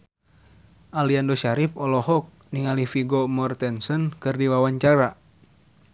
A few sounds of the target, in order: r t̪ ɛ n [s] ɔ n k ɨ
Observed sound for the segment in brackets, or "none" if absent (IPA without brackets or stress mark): s